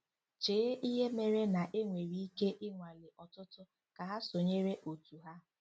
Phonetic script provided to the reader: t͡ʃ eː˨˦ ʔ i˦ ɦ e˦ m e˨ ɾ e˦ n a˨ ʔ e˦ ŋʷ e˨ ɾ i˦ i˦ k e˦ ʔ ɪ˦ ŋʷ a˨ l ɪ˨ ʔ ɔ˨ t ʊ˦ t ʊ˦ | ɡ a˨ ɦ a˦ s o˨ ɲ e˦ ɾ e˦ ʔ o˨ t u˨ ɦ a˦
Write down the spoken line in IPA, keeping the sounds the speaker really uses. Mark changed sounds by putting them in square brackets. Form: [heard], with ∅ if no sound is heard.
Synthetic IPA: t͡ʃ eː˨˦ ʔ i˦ ɦ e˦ m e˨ ɾ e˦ n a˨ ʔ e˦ ŋʷ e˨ ɾ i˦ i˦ k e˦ ʔ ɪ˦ ŋʷ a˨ l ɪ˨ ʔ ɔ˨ t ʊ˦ t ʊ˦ | [k] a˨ ɦ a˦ s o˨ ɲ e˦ ɾ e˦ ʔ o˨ t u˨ ɦ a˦